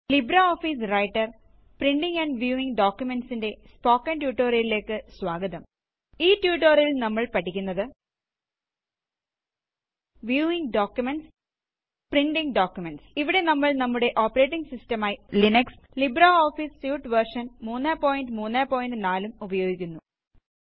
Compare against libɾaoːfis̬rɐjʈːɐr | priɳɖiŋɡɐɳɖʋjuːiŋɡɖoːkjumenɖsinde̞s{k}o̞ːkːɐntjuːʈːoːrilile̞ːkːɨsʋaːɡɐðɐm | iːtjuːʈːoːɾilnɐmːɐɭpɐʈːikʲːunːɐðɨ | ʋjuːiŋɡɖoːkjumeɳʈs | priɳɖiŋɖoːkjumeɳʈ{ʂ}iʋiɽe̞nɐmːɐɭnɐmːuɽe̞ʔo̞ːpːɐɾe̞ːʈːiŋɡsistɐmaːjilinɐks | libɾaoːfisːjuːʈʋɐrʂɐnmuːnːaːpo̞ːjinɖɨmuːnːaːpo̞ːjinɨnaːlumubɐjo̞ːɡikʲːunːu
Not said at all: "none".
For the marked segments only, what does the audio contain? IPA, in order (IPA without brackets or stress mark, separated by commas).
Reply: p, s